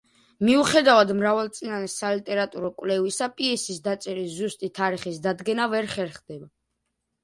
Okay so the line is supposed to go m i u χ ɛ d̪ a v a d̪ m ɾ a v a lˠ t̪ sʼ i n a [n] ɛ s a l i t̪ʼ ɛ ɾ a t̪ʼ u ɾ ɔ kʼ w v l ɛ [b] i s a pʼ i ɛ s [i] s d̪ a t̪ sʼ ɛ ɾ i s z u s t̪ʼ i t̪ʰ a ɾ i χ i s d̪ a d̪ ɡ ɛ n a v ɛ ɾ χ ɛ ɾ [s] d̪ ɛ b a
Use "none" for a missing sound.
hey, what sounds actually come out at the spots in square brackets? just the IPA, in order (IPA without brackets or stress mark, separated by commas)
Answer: n, v, i, χ